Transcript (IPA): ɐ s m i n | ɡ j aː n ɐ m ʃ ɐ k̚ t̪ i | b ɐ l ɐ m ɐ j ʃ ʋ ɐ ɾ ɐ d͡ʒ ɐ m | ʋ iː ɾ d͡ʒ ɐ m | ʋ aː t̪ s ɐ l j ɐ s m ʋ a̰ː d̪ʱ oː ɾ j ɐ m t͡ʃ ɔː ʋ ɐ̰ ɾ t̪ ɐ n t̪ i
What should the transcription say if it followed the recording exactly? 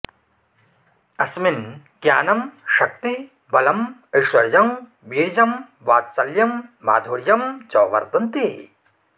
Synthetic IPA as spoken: ɐ s m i n | ɡ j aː n ɐ m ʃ ɐ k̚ t̪ i | b ɐ l ɐ m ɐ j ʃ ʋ ɐ ɾ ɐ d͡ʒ ɐ m | ʋ iː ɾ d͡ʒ ɐ m | ʋ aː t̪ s ɐ l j ɐ m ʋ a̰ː d̪ʱ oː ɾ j ɐ m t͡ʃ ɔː ʋ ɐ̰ ɾ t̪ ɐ n t̪ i